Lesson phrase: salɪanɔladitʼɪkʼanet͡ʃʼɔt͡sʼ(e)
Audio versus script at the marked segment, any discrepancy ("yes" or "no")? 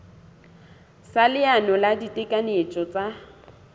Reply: yes